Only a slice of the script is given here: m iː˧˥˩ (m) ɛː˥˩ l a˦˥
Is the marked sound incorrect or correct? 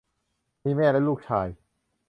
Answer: correct